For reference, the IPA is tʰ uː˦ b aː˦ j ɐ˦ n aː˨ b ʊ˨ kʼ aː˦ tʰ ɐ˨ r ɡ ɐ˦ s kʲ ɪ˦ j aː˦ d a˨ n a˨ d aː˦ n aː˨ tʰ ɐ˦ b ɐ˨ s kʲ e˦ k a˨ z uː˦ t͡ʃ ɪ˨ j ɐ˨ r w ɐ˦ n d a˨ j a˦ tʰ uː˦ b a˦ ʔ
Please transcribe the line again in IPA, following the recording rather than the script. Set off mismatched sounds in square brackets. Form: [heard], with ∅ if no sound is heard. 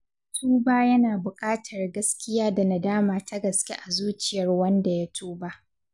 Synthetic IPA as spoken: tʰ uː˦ b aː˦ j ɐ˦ n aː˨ b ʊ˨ kʼ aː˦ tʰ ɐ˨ r ɡ ɐ˦ s kʲ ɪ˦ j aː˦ d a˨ n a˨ d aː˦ [m] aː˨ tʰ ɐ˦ [ɡ] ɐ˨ s kʲ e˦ [ʔ] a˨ z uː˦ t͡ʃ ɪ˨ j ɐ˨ r w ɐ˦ n d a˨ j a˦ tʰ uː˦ b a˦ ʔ

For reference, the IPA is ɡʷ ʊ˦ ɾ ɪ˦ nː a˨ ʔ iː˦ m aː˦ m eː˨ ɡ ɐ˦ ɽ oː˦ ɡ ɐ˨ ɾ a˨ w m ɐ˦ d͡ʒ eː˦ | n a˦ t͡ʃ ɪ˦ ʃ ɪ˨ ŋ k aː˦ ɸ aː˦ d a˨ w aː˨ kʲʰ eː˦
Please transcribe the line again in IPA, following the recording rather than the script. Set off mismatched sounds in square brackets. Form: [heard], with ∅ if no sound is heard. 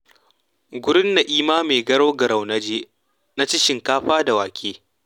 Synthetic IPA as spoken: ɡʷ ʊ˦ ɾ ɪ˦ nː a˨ ʔ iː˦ m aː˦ m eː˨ ɡ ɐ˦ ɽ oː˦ ɡ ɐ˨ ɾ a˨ w [n] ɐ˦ d͡ʒ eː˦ | n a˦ t͡ʃ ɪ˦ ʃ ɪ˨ ŋ k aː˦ ɸ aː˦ d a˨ w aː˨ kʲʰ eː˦

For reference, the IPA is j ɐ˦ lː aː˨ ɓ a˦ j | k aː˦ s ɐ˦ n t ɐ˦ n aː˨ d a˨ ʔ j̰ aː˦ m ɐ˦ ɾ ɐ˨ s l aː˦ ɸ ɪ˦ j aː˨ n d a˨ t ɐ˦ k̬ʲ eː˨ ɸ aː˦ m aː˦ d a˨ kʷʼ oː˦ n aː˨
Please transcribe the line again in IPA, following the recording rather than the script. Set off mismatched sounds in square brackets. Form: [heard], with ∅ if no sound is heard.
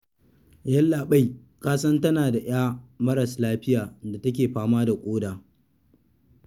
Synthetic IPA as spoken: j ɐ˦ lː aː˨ ɓ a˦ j | k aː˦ s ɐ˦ n t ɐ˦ n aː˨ d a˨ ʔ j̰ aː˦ m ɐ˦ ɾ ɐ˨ s l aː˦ ɸ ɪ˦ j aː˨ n d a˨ t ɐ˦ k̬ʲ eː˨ ɸ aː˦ m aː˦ d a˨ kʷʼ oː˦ [d] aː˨

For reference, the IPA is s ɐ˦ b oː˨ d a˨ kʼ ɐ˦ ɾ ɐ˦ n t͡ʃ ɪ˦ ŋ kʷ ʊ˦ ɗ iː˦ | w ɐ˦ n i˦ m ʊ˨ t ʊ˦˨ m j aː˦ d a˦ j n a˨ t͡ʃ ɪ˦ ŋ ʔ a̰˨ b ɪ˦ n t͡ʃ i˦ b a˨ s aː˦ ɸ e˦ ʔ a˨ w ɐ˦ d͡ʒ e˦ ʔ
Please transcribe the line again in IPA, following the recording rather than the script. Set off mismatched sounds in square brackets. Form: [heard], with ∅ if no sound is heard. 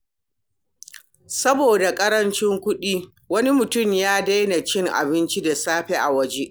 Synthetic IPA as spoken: s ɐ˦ b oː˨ d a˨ kʼ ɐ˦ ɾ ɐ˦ n t͡ʃ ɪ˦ ŋ kʷ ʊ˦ ɗ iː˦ | w ɐ˦ n i˦ m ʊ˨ t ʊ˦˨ m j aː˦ d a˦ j n a˨ t͡ʃ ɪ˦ ŋ ʔ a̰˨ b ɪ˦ n t͡ʃ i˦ [d] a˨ s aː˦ ɸ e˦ ʔ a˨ w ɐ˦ d͡ʒ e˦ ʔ

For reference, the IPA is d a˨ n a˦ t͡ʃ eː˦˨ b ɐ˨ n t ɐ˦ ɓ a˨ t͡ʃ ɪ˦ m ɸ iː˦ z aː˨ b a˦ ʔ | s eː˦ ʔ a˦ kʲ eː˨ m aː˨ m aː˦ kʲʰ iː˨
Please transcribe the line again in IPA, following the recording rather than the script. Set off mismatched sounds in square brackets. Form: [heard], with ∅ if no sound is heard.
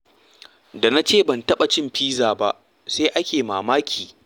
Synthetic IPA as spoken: d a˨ n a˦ t͡ʃ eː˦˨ b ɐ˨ n t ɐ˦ ɓ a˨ t͡ʃ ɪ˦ m ɸ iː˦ z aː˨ b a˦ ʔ | s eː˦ ʔ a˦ kʲ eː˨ m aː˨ m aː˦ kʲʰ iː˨

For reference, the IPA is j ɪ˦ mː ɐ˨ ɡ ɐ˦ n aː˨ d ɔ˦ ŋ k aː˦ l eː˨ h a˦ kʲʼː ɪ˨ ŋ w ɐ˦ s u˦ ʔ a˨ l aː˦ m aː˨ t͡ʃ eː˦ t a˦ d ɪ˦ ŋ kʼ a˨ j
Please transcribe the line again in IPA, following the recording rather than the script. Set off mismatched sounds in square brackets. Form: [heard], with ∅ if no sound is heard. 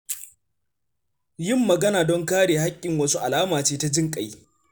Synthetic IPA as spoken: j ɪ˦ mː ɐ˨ ɡ ɐ˦ n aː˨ d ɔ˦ ŋ k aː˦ [ɽ] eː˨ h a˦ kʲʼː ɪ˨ ŋ w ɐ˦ s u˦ ʔ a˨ l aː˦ m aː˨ t͡ʃ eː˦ t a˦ [d͡ʒ] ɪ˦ ŋ kʼ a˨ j

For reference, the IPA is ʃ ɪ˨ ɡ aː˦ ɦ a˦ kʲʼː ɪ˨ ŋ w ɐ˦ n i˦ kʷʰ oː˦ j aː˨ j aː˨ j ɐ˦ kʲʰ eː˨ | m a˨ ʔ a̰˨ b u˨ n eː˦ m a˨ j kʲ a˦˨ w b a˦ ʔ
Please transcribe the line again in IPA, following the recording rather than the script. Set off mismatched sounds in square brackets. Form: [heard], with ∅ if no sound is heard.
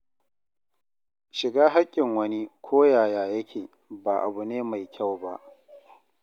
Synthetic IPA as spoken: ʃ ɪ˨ ɡ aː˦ ɦ a˦ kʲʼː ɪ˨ ŋ w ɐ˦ n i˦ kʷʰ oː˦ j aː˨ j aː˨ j ɐ˦ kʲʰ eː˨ | [b] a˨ ʔ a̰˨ b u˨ n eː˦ m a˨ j kʲ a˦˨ w b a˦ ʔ

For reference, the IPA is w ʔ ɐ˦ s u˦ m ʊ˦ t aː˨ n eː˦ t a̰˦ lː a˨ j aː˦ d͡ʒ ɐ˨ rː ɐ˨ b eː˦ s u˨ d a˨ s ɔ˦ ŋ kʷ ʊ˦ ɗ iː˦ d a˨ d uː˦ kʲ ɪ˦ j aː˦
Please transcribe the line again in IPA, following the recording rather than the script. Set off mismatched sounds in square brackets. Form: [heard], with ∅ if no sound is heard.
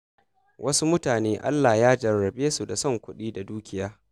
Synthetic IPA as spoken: w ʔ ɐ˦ s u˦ m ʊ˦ t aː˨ n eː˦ [ʔ] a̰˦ lː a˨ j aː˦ d͡ʒ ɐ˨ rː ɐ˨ b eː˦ s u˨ d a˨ s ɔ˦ ŋ kʷ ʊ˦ ɗ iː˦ d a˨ d uː˦ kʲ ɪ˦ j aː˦

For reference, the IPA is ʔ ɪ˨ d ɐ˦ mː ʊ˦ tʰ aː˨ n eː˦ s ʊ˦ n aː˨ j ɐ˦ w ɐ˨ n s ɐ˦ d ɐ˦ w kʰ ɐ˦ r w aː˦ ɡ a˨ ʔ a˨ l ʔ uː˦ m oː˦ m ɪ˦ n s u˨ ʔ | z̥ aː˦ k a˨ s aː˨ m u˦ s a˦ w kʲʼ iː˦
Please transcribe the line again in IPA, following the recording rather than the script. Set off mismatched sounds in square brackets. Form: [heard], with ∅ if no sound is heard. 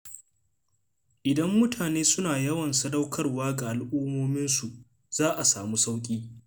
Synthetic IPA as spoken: ʔ ɪ˨ d ɐ˦ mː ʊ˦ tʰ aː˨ n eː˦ s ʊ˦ n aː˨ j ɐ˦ w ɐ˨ n s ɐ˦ d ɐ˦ w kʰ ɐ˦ r w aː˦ ɡ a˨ ʔ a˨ l ʔ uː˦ m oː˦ m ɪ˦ n s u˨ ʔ | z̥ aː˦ [ʔ] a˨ s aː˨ m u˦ s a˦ w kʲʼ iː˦

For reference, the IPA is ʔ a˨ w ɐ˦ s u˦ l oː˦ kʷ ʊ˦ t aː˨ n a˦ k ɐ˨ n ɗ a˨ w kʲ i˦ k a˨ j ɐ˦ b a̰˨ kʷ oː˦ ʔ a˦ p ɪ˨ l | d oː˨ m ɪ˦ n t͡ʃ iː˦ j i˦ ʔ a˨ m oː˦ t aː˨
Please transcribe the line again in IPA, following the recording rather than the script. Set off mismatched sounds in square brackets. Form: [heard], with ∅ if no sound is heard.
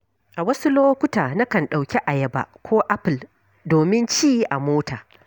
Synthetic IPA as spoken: ʔ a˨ w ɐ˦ s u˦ l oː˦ kʷ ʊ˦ t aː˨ n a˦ k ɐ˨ n ɗ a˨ w kʲ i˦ [ʔ] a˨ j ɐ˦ b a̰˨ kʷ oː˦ ʔ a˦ p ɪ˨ l | d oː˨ m ɪ˦ n t͡ʃ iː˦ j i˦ ʔ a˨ m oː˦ t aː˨

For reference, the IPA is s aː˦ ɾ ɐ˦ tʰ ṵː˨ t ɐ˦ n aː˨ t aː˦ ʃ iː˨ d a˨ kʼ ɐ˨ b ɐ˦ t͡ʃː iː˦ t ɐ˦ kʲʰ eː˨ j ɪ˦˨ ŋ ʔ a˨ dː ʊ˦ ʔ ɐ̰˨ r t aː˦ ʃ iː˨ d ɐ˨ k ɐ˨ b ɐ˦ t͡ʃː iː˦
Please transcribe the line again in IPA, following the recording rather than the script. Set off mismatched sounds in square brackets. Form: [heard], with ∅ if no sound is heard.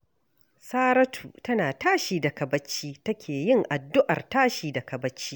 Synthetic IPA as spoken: s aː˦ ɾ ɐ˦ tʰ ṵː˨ t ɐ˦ n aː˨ t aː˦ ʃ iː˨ d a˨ [k] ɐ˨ b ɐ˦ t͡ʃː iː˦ t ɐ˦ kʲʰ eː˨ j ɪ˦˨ ŋ ʔ a˨ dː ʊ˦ ʔ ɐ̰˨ r t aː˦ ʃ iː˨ d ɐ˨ k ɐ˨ b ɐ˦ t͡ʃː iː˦

